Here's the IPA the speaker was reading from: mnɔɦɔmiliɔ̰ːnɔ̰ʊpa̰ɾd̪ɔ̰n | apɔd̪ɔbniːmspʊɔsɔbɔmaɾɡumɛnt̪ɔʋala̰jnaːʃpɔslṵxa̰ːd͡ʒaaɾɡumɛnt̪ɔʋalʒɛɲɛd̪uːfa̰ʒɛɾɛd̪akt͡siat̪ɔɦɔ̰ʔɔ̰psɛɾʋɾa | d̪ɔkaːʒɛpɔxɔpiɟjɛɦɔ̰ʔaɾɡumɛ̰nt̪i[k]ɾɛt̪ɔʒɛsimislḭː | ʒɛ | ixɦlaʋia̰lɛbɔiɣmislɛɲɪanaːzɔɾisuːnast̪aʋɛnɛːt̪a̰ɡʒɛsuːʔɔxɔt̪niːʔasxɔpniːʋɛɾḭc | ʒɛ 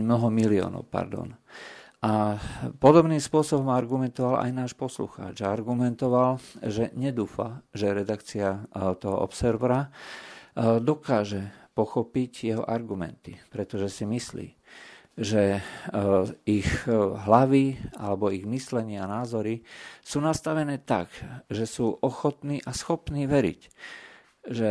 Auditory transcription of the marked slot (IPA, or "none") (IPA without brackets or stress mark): p